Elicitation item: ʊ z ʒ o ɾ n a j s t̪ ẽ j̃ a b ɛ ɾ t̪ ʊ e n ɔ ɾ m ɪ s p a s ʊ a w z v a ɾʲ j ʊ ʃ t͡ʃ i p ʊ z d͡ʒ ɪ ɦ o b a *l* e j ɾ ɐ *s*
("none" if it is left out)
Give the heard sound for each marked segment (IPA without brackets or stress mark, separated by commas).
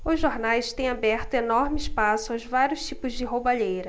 ʎ, none